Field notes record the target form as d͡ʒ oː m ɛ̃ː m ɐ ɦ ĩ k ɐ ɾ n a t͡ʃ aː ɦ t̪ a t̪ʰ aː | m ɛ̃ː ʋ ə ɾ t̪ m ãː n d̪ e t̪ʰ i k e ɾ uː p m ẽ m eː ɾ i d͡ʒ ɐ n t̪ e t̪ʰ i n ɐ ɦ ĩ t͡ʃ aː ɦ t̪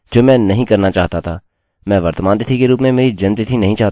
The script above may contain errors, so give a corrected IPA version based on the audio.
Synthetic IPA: d͡ʒ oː m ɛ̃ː n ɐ ɦ ĩ k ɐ ɾ n a t͡ʃ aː ɦ t̪ a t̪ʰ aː | m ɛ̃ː ʋ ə ɾ t̪ m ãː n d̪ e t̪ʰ i k e ɾ uː p m ẽ m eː ɾ i d͡ʒ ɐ n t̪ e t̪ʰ i n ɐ ɦ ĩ t͡ʃ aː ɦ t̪